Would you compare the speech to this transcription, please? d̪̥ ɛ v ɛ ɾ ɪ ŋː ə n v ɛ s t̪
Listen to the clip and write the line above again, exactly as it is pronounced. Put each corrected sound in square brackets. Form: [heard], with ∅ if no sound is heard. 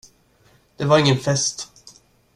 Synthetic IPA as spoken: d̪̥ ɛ v [a] ɾ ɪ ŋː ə n [f] ɛ s t̪